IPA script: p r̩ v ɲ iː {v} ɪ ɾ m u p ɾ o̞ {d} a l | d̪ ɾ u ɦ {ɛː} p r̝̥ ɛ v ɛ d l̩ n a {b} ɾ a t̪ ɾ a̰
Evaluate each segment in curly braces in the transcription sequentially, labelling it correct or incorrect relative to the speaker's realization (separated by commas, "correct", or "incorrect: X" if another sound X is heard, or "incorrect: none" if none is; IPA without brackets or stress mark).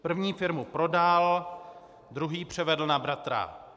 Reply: incorrect: f, correct, incorrect: iː, correct